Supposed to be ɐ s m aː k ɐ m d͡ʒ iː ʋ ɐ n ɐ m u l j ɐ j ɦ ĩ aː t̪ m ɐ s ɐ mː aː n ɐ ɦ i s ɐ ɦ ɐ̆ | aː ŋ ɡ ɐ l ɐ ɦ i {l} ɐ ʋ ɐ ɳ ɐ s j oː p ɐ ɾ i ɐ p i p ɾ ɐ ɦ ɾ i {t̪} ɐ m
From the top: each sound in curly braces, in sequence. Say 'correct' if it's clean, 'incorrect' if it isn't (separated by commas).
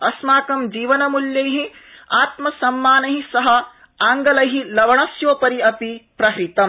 correct, correct